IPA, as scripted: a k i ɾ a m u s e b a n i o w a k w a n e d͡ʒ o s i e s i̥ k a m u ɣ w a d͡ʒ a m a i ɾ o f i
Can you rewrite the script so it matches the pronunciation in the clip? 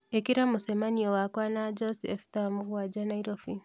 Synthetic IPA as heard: e k i ɾ a m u s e m a n i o w a k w a n a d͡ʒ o s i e f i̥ t a m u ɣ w a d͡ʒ a n a i ɾ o f i